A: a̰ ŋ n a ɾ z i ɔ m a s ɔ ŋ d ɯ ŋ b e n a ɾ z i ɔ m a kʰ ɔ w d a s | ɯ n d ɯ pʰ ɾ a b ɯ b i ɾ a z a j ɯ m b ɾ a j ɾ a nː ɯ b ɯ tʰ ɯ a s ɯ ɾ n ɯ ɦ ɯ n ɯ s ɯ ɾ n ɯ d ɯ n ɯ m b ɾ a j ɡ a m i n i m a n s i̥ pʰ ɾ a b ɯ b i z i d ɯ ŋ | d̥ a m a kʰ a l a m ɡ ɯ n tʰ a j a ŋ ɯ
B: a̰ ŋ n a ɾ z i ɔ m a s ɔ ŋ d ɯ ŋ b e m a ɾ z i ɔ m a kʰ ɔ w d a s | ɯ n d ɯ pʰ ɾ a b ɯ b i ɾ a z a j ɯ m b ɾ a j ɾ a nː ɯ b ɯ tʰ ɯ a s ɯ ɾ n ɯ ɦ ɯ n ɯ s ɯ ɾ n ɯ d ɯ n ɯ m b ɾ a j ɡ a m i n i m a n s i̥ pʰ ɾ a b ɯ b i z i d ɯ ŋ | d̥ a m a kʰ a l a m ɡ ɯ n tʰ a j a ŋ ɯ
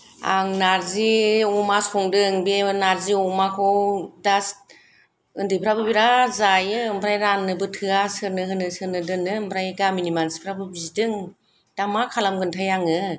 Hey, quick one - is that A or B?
A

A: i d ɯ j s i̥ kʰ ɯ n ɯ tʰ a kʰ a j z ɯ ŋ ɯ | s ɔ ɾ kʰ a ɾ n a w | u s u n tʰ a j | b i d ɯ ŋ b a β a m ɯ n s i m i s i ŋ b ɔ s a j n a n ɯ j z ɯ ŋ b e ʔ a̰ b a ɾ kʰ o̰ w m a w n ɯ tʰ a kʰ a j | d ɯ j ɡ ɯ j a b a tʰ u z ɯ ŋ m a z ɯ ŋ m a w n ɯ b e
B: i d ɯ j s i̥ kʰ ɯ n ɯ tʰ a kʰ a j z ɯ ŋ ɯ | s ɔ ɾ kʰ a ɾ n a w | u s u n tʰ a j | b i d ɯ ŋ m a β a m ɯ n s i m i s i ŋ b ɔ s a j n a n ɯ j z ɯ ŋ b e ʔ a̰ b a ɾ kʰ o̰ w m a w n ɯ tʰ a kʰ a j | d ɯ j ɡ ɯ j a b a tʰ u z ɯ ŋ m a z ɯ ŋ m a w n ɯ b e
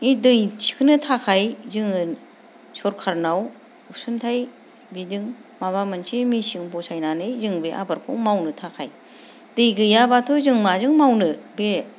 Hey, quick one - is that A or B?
B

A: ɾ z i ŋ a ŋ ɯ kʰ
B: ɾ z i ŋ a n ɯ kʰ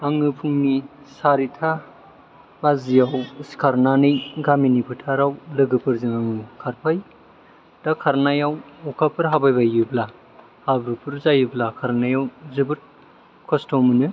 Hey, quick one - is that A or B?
A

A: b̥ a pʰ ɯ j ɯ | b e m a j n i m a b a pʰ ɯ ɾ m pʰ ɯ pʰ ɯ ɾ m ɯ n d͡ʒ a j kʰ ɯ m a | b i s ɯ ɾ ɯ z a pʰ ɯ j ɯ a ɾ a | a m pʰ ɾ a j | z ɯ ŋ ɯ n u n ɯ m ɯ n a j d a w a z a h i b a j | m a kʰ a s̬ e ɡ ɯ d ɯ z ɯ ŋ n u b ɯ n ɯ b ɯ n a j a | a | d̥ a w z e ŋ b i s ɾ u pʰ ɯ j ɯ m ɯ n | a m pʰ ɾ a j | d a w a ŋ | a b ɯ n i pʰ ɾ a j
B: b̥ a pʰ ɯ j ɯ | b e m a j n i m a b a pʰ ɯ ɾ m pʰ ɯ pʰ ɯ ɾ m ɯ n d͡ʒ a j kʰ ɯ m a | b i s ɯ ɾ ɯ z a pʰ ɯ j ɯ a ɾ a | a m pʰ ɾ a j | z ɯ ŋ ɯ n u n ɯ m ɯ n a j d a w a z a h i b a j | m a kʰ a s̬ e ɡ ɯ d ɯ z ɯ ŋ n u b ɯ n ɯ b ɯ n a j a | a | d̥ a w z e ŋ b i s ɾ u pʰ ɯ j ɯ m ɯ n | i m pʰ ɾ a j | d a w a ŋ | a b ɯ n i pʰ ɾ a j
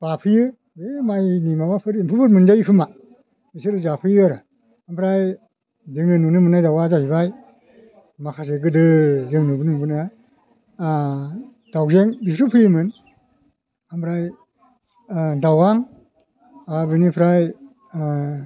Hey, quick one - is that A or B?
A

